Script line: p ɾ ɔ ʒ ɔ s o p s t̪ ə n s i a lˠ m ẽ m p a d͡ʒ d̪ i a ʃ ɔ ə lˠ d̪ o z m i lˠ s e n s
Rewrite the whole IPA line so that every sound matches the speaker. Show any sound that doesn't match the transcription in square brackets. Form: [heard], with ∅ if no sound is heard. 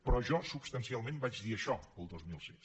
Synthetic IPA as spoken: p ɾ ɔ ʒ ɔ s [u] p s t̪ ə n s i a lˠ m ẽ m [b] a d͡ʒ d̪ i [ə] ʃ ɔ ə lˠ d̪ o z m i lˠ s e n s